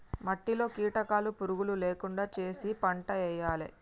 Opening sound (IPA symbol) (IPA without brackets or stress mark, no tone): m